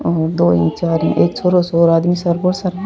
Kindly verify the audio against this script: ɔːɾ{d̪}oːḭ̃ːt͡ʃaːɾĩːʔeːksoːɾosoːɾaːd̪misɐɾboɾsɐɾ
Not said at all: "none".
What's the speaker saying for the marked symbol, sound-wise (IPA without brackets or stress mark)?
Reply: d̪